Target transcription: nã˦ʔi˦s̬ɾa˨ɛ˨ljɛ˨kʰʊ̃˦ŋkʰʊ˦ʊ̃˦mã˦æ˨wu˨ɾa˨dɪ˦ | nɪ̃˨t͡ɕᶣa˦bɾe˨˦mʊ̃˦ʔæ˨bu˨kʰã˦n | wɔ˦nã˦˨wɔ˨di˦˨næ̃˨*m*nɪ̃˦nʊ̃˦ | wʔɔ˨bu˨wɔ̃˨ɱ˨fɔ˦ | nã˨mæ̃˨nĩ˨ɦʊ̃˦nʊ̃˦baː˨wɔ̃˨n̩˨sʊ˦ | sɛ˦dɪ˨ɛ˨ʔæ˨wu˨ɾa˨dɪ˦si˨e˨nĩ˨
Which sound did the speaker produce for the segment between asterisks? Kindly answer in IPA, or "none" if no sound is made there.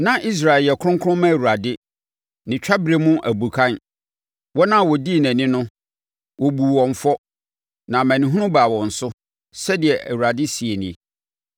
none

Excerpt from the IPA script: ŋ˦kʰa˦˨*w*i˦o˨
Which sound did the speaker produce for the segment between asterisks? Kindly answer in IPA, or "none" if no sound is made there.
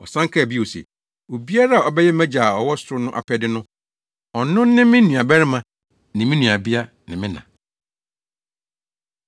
b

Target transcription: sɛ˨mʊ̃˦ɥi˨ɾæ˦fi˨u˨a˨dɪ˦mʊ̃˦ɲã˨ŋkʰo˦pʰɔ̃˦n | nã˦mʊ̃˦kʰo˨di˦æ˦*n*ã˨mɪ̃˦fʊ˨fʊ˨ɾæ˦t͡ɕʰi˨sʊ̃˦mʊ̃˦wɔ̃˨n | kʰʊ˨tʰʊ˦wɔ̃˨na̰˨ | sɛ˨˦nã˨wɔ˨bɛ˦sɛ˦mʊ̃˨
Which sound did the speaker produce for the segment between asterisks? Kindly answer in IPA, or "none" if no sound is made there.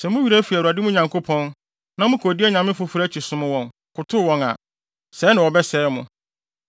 ɲ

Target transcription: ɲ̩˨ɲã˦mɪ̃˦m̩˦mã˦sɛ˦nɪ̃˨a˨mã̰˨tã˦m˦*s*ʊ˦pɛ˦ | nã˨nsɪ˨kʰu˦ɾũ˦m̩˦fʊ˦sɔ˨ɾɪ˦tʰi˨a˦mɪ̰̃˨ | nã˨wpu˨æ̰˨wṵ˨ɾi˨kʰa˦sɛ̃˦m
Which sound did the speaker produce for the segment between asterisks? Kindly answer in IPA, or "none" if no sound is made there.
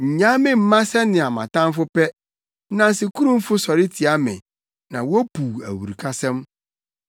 f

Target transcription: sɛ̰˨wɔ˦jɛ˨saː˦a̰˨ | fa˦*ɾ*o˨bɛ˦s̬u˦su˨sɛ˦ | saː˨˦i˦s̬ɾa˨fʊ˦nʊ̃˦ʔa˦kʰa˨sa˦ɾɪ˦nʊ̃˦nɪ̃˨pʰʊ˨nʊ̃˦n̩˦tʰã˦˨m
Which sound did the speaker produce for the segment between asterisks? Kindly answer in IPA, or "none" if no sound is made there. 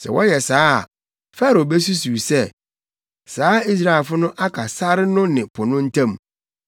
ɾ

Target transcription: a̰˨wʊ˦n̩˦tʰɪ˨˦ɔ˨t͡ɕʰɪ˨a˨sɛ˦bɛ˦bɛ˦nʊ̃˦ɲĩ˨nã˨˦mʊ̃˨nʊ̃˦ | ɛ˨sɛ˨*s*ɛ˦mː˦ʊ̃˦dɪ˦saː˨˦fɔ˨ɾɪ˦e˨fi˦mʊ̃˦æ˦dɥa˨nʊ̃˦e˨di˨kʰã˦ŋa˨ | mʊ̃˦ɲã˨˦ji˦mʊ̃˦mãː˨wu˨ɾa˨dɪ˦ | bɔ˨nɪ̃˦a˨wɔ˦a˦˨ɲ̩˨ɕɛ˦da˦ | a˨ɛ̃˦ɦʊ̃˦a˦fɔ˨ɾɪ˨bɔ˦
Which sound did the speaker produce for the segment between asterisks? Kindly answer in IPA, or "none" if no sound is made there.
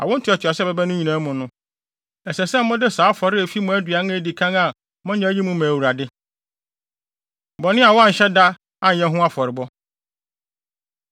s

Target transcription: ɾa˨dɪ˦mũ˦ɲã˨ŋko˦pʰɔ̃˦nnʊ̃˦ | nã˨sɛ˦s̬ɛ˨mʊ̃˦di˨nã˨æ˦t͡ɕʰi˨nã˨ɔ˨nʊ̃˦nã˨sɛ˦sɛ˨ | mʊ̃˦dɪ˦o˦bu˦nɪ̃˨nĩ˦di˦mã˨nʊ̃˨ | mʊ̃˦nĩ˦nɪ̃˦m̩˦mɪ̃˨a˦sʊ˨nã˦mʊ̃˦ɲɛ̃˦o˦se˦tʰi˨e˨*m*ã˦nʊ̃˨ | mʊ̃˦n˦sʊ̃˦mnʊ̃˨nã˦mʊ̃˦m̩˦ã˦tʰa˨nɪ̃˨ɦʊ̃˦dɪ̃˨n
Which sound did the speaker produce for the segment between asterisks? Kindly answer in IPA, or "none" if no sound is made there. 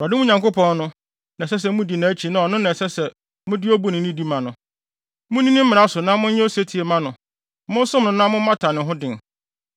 m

